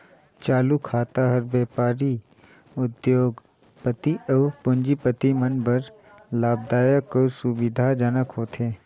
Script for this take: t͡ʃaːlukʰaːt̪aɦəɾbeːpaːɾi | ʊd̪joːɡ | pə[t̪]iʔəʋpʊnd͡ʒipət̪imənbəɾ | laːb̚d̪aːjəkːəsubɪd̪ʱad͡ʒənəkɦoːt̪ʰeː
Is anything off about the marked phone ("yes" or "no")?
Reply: no